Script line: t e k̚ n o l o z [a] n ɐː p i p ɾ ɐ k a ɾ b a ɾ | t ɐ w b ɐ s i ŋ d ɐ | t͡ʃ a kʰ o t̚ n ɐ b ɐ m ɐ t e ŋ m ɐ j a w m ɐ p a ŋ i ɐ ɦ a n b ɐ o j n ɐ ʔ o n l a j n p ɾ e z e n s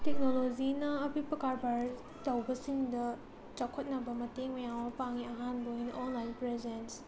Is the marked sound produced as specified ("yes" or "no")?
no